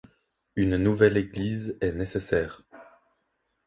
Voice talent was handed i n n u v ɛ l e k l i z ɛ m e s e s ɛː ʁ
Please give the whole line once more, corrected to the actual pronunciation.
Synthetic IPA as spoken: y n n u v ɛ l e ɡ l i z ɛ n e s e s ɛː ʁ